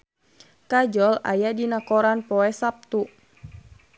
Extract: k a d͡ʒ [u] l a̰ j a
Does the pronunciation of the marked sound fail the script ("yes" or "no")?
yes